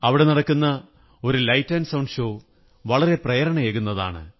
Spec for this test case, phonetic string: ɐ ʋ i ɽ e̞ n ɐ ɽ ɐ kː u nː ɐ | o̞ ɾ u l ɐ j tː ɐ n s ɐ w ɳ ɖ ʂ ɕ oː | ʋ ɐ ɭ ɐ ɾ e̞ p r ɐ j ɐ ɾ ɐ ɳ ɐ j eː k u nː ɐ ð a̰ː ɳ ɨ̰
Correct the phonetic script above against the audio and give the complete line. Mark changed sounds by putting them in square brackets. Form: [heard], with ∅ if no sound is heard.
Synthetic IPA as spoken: ɐ ʋ i ɽ e̞ n ɐ ɽ ɐ kː u nː ɐ | o̞ ɾ u l ɐ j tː ɐ n s ɐ w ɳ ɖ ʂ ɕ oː | ʋ ɐ ɭ ɐ ɾ e̞ p r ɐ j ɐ ɾ ɐ ɳ ɐ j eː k u nː ɐ ð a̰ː ɳ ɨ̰